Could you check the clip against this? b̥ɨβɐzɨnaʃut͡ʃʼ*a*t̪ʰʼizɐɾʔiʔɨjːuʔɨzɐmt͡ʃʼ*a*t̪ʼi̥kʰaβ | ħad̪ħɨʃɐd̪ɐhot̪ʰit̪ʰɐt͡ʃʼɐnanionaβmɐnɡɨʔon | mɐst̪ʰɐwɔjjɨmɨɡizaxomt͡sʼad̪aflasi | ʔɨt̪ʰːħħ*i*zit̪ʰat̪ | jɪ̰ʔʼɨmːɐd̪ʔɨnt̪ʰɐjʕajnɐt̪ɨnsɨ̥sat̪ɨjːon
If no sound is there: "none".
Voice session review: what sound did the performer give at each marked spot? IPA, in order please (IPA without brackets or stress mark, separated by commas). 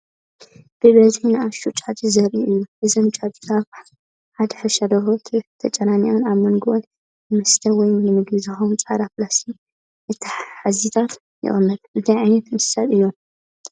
a, a, a